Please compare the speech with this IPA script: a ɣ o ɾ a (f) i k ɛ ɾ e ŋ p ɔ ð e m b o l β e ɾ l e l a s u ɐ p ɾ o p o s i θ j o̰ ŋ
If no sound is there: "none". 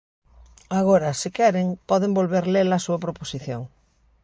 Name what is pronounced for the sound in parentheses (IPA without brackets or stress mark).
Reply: s